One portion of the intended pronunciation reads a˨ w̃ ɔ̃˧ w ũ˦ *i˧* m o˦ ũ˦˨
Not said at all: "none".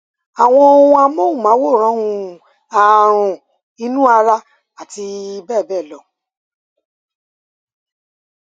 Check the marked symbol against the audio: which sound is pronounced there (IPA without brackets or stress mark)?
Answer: a˧